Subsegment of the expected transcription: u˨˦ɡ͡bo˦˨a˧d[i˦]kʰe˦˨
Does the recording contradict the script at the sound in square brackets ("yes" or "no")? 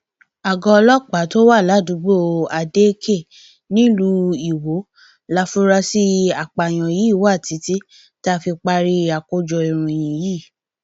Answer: yes